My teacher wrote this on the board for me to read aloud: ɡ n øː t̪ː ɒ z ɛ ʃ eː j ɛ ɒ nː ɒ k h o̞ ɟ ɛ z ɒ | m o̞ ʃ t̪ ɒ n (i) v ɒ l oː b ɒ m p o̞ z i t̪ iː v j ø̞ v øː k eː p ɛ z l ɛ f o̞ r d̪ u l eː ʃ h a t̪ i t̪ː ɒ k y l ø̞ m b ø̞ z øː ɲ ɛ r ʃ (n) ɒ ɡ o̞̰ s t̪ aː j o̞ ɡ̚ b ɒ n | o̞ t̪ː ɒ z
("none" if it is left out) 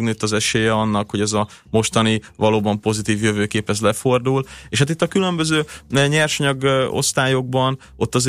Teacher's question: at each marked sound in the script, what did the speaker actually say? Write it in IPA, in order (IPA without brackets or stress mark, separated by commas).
i, ɲ